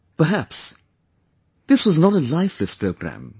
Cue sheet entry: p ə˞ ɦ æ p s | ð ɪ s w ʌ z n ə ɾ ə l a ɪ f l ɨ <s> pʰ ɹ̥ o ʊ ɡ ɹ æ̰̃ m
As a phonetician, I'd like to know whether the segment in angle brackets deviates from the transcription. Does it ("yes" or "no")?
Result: no